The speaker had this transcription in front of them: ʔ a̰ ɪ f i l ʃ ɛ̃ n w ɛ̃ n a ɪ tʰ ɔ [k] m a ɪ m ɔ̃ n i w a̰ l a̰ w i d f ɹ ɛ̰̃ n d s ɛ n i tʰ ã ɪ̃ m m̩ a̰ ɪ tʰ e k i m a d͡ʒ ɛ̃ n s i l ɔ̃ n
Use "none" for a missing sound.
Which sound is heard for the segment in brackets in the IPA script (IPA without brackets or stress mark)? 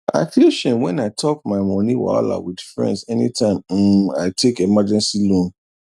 k